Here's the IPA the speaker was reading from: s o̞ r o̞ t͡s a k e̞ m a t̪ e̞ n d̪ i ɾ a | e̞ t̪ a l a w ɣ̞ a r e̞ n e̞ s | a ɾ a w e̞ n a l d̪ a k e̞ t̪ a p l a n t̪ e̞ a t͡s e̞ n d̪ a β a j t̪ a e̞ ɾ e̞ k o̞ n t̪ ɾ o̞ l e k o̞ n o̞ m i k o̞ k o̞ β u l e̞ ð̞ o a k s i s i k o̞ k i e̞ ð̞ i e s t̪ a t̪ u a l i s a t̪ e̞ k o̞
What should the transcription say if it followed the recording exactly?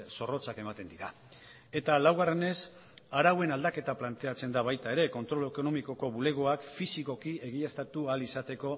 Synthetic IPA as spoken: s o̞ r o̞ t͡s a k e̞ m a t̪ e̞ n d̪ i ɾ a | e̞ t̪ a l a w ɣ̞ a r e̞ n e̞ s | a ɾ a w e̞ n a l d̪ a k e̞ t̪ a p l a n t̪ e̞ a t͡s e̞ n d̪ a β a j t̪ a e̞ ɾ e̞ k o̞ n t̪ ɾ o̞ l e k o̞ n o̞ m i k o̞ k o̞ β u l e̞ ɣ̞ o a k f i s i k o̞ k i e̞ ɣ̞ i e s t̪ a t̪ u a l i s a t̪ e̞ k o̞